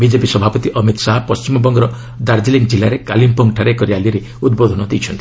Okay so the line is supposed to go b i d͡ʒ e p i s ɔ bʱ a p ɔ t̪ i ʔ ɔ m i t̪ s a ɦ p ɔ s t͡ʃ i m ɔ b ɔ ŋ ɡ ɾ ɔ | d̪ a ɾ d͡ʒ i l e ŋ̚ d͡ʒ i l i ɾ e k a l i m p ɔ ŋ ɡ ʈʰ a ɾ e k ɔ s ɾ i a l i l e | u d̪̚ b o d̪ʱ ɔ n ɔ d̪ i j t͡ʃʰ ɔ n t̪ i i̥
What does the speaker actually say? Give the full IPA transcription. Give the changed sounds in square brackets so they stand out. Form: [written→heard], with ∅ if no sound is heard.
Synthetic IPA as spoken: b i d͡ʒ e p i s ɔ bʱ a p ɔ t̪ i ʔ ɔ m i t̪ s a ɦ p ɔ s t͡ʃ i m ɔ b ɔ ŋ ɡ ɾ ɔ | d̪ a ɾ d͡ʒ i l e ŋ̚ d͡ʒ i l [i→a] ɾ e k a l i m p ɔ ŋ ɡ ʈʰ a ɾ e k ɔ [s→∅] ɾ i a l i [l→ɾ] e | u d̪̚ b o d̪ʱ ɔ n ɔ d̪ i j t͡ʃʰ ɔ n t̪ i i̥